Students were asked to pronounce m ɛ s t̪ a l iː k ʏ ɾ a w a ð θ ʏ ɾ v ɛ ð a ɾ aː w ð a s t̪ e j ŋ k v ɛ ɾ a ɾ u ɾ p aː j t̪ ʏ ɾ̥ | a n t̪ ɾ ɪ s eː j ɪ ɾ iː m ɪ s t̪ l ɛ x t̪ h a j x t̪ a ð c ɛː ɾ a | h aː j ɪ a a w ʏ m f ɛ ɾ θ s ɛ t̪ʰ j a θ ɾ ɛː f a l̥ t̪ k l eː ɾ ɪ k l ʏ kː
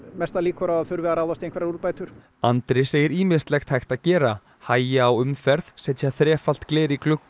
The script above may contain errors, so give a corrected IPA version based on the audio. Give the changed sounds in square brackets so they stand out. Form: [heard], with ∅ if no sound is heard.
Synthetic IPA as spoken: m ɛ s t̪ a l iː k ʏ ɾ a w a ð θ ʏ ɾ v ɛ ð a ɾ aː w ð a s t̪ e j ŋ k v ɛ ɾ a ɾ u ɾ p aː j t̪ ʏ ɾ̥ | a n t̪ ɾ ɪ s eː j ɪ ɾ iː m ɪ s t̪ l ɛ x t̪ h a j x t̪ a ð c ɛː ɾ a | h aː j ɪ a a w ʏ m f ɛ ɾ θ s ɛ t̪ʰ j a θ ɾ ɛː f a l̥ t̪ k l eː ɾ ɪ k l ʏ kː